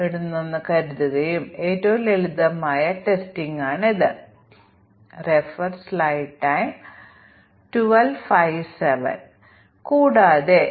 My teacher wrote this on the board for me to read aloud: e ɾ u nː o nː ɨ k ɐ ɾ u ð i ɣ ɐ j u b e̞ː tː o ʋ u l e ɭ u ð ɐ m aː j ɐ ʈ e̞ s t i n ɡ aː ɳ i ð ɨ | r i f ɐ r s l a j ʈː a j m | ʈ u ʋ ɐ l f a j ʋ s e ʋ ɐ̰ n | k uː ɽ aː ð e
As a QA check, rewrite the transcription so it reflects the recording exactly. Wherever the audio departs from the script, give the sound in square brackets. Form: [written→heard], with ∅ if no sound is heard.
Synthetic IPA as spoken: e [ɾ→ɽ] u nː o nː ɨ k ɐ ɾ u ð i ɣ ɐ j u [b→m] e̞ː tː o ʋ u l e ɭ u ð ɐ m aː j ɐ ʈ e̞ s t i [n→ŋ] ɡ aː ɳ i ð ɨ | r [i→e] f ɐ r s l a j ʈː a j m | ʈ u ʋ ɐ l f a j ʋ s e ʋ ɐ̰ n | k uː ɽ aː ð e

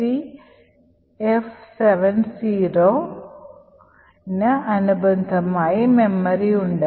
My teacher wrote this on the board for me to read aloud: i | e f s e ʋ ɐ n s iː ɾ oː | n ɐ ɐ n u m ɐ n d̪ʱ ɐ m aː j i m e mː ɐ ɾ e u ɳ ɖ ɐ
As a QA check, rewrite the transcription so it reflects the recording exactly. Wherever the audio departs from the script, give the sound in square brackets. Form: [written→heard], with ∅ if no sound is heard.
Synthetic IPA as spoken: i | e f s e ʋ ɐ n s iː ɾ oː | n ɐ ɐ n u [m→b] ɐ n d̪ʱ ɐ m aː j i m e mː ɐ ɾ [e→i] u ɳ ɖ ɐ

